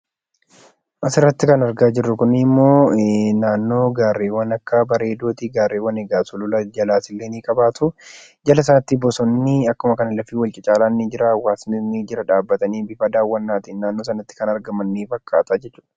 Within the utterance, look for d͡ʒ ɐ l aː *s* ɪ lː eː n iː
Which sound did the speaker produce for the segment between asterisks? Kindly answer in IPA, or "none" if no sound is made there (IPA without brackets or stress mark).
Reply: s